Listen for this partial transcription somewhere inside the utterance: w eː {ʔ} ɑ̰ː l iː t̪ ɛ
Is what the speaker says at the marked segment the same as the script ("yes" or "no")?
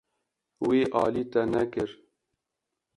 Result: yes